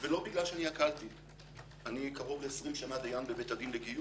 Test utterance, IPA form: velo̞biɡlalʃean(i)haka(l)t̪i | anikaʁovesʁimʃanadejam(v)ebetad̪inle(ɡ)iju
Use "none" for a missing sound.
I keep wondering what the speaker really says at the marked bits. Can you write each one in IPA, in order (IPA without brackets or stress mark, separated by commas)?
i, l, b, ɡ